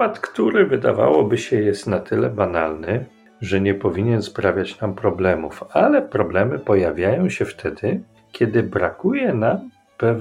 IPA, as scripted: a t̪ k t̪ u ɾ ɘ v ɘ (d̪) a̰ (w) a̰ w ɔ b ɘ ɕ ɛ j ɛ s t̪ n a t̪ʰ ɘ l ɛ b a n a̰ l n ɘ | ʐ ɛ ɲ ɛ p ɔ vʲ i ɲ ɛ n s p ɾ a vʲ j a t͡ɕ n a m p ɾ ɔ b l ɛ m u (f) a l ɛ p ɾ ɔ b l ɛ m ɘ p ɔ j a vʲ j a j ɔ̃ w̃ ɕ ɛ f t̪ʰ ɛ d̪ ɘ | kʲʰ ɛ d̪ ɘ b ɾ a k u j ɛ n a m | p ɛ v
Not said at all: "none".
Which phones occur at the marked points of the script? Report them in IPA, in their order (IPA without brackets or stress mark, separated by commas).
d̪, v, f